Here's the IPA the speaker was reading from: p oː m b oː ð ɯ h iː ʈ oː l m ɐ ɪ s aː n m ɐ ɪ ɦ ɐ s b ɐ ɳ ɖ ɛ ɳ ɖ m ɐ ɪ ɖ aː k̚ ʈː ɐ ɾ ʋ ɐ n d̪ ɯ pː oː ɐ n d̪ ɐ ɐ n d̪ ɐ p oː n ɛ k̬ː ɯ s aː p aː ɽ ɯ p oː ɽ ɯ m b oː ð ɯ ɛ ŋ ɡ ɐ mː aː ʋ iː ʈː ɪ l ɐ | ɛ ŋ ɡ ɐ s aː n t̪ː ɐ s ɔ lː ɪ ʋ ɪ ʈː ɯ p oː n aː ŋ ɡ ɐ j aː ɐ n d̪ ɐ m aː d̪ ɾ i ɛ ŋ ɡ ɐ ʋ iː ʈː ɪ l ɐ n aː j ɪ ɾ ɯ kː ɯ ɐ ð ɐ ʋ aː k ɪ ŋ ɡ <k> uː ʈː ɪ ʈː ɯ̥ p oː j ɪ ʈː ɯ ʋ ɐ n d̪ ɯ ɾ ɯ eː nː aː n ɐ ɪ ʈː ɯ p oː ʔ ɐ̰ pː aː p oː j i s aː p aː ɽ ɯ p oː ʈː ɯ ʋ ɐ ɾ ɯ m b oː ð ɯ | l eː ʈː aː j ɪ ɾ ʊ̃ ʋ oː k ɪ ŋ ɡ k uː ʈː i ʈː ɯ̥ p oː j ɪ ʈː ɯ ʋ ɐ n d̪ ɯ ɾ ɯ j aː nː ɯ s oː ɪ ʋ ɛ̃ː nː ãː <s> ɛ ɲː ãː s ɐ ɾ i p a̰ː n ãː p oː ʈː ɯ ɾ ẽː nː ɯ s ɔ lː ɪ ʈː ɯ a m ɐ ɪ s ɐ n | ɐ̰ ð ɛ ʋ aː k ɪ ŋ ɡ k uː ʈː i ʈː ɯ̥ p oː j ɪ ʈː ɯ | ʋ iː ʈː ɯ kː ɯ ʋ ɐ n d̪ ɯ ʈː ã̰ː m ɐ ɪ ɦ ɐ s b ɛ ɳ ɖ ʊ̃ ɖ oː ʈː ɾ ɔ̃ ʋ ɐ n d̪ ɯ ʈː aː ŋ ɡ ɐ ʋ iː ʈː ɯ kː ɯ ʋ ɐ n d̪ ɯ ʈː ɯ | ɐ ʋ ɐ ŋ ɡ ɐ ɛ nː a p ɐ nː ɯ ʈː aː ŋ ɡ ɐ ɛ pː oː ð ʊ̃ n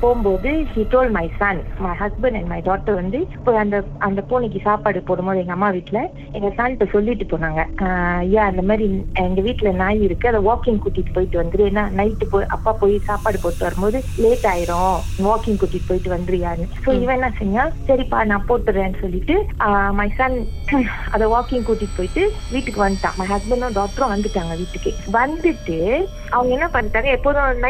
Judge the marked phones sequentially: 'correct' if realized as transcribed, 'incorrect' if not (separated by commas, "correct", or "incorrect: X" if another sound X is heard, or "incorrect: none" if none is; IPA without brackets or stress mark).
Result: correct, correct